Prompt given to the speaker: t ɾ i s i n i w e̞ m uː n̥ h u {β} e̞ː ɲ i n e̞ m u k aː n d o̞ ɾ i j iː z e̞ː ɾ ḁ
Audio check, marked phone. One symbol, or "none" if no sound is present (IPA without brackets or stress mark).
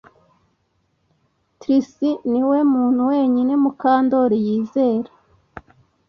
w